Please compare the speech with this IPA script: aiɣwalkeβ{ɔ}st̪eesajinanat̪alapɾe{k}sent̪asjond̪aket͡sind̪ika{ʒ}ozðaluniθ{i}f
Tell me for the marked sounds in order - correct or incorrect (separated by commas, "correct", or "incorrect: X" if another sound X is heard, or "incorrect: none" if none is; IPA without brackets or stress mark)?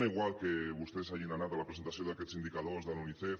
incorrect: u, incorrect: none, incorrect: ð, incorrect: e